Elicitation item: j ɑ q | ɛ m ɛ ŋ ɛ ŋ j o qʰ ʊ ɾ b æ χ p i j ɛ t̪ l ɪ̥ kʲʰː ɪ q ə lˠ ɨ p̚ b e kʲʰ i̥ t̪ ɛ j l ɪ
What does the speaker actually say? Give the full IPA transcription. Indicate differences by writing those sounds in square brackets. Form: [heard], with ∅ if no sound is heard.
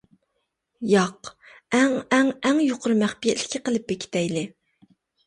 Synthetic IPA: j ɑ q | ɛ [ŋ] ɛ ŋ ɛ ŋ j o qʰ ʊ ɾ [m] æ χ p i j ɛ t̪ l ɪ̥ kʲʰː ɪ q ə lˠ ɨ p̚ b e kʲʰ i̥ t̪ ɛ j l ɪ